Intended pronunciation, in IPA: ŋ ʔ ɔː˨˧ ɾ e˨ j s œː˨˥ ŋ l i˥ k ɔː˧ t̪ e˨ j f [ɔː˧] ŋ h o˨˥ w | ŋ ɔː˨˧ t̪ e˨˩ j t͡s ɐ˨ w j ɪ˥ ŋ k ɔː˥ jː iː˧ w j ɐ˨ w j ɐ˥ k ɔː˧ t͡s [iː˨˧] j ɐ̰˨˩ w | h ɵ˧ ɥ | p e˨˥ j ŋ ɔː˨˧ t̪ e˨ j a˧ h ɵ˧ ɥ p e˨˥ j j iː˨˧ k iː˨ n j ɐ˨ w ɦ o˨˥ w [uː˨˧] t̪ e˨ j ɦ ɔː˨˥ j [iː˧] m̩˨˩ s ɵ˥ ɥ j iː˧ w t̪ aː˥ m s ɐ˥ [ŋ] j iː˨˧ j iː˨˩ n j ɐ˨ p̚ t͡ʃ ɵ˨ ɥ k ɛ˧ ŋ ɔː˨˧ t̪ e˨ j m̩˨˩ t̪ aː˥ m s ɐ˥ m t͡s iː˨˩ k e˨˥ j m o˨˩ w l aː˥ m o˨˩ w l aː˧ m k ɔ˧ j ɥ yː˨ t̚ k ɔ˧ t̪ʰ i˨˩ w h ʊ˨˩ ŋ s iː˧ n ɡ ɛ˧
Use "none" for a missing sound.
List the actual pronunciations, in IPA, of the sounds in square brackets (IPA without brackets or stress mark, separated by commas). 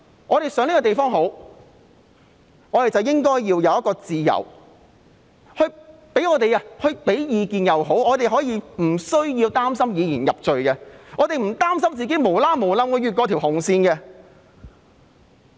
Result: ɔː˥, iː˨˧, ɔː˨˧, iː˧, m